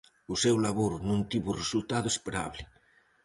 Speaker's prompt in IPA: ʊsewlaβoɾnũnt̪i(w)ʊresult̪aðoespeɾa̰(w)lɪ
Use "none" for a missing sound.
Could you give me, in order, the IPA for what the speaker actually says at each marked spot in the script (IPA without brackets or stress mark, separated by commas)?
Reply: β, β